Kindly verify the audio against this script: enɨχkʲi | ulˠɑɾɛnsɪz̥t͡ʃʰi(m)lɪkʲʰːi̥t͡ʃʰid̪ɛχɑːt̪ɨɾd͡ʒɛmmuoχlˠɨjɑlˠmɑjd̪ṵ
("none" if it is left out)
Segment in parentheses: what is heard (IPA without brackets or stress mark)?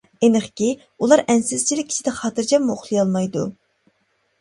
none